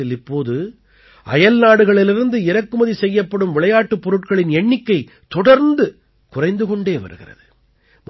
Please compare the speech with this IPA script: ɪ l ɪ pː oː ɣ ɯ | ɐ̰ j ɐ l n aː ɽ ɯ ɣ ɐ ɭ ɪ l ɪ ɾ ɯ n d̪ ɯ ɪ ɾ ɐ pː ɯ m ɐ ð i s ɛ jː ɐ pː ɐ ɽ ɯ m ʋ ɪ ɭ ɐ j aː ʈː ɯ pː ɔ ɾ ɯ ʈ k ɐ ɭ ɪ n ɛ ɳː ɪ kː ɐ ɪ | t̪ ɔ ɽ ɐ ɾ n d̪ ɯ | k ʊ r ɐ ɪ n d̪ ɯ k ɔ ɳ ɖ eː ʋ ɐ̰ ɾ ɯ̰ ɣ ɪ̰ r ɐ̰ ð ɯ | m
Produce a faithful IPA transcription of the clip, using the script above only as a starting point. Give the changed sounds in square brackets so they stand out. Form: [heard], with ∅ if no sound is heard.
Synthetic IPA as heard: ɪ l ɪ pː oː [ð] ɯ | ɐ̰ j ɐ l n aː ɽ ɯ ɣ ɐ ɭ ɪ l ɪ ɾ ɯ n d̪ ɯ ɪ ɾ ɐ [kː] ɯ m ɐ ð i s ɛ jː ɐ pː ɐ ɽ ɯ m ʋ ɪ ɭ ɐ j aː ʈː ɯ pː ɔ ɾ ɯ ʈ k ɐ ɭ ɪ n ɛ ɳː ɪ kː ɐ ɪ | t̪ ɔ ɽ ɐ ɾ n d̪ ɯ | k ʊ r ɐ ɪ n d̪ ɯ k ɔ ɳ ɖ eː ʋ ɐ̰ ɾ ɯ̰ ɣ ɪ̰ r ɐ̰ ð ɯ | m